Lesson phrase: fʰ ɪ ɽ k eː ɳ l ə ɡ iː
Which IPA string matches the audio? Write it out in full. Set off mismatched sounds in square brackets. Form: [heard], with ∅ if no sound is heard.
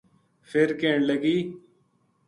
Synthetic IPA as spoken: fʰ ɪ [ɾ] k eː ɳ l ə ɡ iː